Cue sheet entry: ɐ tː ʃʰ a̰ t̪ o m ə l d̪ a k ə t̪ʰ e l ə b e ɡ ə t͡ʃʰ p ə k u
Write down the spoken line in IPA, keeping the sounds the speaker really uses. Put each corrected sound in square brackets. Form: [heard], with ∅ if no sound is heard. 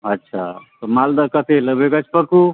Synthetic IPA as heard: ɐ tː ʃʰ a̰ t̪ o m [a] l d̪ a k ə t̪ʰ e l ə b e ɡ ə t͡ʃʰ p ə k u